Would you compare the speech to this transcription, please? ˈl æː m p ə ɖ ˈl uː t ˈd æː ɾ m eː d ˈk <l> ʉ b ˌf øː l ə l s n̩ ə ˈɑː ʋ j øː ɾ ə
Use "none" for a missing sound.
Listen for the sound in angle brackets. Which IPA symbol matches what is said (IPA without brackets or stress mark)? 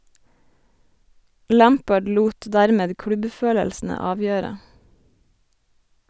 ɽ